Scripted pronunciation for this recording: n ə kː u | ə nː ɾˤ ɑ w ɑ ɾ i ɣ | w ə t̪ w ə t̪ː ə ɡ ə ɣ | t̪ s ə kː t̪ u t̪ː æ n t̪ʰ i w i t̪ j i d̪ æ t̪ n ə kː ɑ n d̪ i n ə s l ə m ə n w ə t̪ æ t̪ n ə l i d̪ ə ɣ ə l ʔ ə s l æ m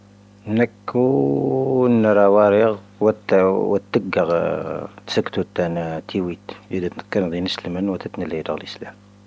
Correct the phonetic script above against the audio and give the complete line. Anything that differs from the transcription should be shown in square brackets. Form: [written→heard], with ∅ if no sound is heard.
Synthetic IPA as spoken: n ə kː u | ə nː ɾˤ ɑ w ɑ ɾ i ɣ | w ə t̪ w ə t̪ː ə ɡ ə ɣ | t̪ s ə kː t̪ u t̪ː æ n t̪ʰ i w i t̪ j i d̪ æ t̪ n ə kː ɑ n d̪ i n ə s l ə m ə n w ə t̪ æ t̪ n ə l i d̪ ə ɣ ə l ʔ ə s l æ m